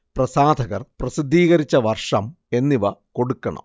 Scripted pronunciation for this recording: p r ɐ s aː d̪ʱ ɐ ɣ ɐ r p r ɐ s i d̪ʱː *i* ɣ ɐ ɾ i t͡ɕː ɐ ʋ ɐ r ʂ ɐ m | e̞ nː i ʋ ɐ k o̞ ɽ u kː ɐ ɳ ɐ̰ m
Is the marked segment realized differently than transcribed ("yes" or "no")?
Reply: yes